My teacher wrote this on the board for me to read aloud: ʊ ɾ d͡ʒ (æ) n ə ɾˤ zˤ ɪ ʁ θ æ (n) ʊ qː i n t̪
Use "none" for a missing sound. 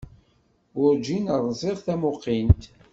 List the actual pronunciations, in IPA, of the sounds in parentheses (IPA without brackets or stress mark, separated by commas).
i, m